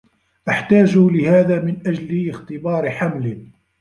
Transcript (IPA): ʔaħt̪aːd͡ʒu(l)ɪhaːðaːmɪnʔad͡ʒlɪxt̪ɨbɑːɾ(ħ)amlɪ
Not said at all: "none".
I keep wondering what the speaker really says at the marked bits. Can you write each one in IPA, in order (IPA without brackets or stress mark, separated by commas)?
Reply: l, ħ